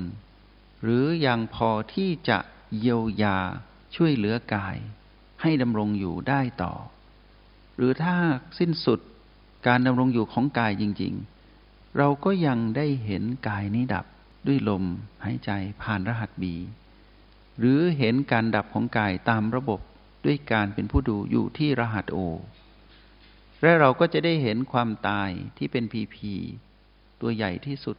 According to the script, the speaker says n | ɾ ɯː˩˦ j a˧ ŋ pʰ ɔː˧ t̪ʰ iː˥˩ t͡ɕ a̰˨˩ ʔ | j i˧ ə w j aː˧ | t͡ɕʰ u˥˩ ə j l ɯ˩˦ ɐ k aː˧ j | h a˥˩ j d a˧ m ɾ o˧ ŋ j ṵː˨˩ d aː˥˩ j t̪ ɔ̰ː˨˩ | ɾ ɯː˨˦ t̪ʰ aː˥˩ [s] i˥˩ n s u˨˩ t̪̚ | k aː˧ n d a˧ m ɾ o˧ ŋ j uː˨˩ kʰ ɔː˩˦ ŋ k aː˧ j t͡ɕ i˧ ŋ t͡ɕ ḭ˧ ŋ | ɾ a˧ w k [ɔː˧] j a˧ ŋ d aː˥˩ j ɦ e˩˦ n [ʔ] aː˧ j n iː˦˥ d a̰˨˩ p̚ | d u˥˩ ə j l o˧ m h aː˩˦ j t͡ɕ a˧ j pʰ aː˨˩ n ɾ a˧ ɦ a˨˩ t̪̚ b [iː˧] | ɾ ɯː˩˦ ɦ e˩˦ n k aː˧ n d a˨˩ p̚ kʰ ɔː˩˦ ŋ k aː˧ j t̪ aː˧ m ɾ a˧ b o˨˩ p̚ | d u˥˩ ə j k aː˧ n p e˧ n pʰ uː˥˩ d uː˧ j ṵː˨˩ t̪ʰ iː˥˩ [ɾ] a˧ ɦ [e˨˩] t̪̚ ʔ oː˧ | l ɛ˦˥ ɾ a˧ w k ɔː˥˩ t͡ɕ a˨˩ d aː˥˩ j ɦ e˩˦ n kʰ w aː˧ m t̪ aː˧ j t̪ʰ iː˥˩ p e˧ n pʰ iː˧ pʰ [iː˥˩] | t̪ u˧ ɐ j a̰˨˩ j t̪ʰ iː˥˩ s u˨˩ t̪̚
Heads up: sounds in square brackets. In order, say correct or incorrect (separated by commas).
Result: correct, incorrect, incorrect, correct, correct, incorrect, incorrect